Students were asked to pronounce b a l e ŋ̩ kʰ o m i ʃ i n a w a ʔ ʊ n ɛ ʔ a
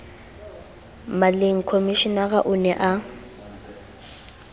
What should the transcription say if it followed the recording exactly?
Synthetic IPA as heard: m a l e ŋ̩ kʰ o m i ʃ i n a ɣ a ʔ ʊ n ɛ ʔ a